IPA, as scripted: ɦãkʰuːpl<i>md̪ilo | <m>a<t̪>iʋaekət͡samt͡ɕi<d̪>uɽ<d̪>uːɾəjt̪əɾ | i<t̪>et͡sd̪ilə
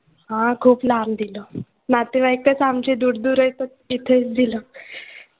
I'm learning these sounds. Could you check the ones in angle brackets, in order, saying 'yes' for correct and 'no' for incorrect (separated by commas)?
no, no, yes, yes, yes, no